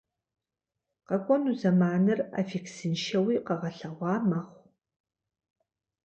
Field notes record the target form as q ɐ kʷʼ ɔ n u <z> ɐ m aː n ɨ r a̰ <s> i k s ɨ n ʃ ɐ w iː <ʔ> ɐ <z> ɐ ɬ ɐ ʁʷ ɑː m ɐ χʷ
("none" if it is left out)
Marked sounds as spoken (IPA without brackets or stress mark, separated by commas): z, f, q, ʁ